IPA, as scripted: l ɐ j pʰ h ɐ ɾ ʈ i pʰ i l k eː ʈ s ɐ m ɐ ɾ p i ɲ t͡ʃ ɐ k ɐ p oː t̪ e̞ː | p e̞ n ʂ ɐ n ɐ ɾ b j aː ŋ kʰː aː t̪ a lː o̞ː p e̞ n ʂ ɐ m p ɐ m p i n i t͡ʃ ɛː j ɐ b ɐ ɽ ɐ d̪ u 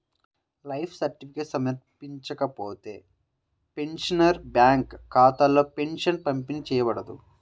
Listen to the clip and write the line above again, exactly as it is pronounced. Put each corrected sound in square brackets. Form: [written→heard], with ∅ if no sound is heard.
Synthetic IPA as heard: l ɐ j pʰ [h→s] ɐ ɾ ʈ i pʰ i [l→∅] k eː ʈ s ɐ m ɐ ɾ p i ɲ t͡ʃ ɐ k ɐ p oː t̪ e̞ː | p e̞ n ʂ ɐ n ɐ ɾ b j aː ŋ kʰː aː t̪ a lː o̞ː p e̞ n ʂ ɐ [m→n] p ɐ m p i n i t͡ʃ ɛː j ɐ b ɐ ɽ ɐ d̪ u

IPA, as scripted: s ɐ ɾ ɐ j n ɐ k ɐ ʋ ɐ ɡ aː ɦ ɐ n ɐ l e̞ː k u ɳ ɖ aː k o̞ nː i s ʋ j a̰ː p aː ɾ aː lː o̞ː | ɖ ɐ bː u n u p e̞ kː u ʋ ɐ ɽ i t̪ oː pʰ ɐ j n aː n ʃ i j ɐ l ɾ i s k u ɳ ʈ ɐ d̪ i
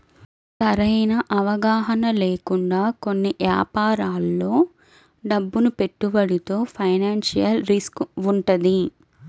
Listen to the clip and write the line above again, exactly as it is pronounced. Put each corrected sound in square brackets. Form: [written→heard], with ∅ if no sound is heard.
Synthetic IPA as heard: s ɐ ɾ ɐ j n ɐ [k→ʔ] ɐ ʋ ɐ ɡ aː ɦ ɐ n ɐ l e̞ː k u ɳ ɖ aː k o̞ nː i [s→∅] ʋ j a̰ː p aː ɾ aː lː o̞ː | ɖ ɐ bː u n u p e̞ [kː→ʈː] u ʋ ɐ ɽ i t̪ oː pʰ ɐ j n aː n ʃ i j ɐ l ɾ i s k u ɳ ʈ ɐ d̪ i

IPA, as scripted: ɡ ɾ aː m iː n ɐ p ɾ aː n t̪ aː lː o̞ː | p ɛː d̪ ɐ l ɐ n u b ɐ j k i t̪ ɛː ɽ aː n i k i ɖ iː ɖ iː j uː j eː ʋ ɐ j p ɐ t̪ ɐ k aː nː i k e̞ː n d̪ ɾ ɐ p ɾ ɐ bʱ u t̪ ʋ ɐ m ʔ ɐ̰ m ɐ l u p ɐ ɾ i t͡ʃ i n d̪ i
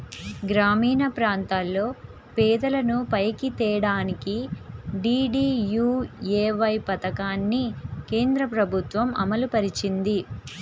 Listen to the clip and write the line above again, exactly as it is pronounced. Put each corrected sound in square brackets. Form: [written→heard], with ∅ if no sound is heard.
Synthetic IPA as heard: ɡ ɾ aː m iː n ɐ p ɾ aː n t̪ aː lː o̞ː | p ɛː d̪ ɐ l ɐ n u [b→p] ɐ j k i t̪ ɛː ɽ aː n i k i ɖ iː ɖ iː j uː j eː ʋ ɐ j p ɐ t̪ ɐ k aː nː i k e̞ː n d̪ ɾ ɐ p ɾ ɐ bʱ u t̪ ʋ ɐ m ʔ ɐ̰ m ɐ l u p ɐ ɾ i t͡ʃ i n d̪ i

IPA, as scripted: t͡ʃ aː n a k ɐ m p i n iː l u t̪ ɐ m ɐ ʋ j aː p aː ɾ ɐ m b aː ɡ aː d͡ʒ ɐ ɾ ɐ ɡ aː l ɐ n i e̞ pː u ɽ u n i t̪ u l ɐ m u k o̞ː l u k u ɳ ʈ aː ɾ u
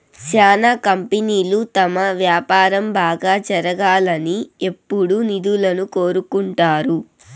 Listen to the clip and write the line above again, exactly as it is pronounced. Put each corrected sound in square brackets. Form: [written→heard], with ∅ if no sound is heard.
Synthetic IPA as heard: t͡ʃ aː n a k ɐ m p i n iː l u t̪ ɐ m ɐ ʋ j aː p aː ɾ ɐ m b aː ɡ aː d͡ʒ ɐ ɾ ɐ ɡ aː l ɐ n i e̞ pː u ɽ u n i [t̪→d̪] u l ɐ [m→n] u k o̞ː [l→ɾ] u k u ɳ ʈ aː ɾ u

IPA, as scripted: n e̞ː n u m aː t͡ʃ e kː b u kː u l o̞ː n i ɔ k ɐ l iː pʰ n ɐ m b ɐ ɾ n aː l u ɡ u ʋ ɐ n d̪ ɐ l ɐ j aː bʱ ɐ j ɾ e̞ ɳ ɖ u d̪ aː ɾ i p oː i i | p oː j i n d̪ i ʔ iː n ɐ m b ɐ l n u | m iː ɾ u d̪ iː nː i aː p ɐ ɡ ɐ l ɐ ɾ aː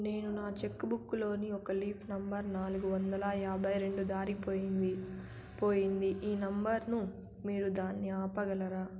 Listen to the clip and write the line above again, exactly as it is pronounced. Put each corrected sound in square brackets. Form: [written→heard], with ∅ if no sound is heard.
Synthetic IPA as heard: n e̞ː n u [m→n] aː t͡ʃ e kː b u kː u l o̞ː n i ɔ k ɐ l iː pʰ n ɐ m b ɐ ɾ n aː l u ɡ u ʋ ɐ n d̪ ɐ l ɐ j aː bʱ ɐ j ɾ e̞ ɳ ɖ u d̪ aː ɾ i p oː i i | p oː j i n d̪ i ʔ iː n ɐ m b ɐ [l→ɾ] n u | m iː ɾ u d̪ [iː→aː] nː i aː p ɐ ɡ ɐ l ɐ ɾ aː

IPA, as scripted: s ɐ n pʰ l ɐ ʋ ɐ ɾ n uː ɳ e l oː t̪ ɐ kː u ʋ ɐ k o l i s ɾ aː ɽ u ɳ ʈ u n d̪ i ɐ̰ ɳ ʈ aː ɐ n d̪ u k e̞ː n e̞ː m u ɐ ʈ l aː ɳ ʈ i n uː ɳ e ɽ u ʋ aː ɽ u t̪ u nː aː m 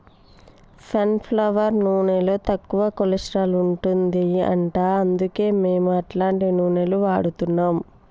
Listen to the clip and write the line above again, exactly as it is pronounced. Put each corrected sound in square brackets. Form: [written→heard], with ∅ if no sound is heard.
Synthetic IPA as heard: s ɐ n pʰ l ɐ ʋ ɐ ɾ n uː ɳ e l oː t̪ ɐ kː u ʋ ɐ k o l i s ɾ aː [ɽ→l] u ɳ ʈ u n d̪ i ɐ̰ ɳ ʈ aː ɐ n d̪ u k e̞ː [n→m] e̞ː m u ɐ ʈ l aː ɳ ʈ i n uː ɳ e [ɽ→l] u ʋ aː ɽ u t̪ u nː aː m

